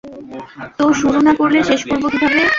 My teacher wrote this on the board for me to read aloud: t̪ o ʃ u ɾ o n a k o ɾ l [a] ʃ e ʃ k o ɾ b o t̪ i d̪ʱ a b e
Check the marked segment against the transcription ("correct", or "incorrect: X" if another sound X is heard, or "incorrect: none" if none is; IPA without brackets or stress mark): incorrect: e